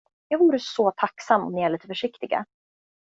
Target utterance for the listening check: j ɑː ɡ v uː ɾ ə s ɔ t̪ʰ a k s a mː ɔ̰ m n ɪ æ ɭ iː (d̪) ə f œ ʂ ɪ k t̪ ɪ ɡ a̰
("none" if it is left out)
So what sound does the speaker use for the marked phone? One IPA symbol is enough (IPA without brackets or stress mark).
t̪